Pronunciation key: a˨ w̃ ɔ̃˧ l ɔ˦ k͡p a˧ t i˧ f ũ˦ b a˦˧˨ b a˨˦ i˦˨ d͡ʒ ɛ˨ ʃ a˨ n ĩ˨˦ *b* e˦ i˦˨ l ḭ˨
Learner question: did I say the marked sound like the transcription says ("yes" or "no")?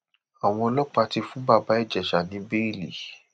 yes